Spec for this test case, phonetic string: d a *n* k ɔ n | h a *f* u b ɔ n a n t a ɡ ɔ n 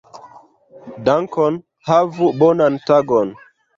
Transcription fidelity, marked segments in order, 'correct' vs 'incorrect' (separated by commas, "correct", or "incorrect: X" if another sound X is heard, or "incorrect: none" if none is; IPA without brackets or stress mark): incorrect: ŋ, incorrect: v